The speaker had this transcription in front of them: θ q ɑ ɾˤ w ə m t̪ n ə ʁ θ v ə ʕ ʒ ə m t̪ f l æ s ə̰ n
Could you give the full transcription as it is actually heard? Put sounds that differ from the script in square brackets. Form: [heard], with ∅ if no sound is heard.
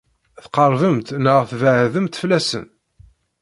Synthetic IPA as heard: θ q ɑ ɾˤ [v] ə m t̪ n ə ʁ θ v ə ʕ [ð] ə m t̪ f l æ s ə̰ n